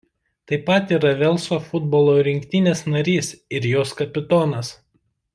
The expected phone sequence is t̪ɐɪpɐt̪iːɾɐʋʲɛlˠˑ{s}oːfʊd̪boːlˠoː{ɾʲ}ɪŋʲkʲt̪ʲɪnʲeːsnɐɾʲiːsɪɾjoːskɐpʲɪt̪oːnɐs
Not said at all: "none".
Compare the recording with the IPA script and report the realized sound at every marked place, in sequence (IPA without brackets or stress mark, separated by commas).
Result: s, ɾʲ